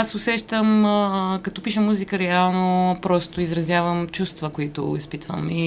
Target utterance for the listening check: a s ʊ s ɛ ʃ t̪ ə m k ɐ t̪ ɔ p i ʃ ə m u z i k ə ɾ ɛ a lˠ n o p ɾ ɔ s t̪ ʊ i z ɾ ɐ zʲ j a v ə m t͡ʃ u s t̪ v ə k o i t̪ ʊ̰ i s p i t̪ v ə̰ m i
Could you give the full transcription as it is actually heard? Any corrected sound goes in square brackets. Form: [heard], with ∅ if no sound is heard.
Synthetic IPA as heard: a s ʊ s ɛ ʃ t̪ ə m k ɐ t̪ ɔ p i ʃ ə m u z i k ə ɾ ɛ a lˠ n o p ɾ ɔ s t̪ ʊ i z ɾ ɐ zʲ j a v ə m t͡ʃ u s t̪ v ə k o i t̪ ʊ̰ i s p i t̪ v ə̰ m i